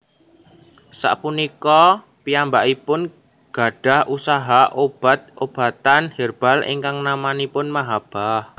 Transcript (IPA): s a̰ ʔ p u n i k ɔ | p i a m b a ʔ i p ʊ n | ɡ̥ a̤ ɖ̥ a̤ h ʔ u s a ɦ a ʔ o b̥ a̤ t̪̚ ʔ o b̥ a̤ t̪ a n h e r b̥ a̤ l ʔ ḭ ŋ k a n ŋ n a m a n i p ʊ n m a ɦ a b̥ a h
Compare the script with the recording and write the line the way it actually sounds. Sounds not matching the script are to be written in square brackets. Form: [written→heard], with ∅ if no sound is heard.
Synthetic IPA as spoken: s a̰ ʔ p u n i k ɔ | p i a m b a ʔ i p ʊ n | ɡ̥ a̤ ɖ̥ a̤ h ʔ u s a ɦ a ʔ o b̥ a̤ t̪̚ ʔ o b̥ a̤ t̪ a n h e r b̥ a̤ l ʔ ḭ ŋ k a [n→∅] ŋ n a m a n i p ʊ n m a ɦ a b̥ a h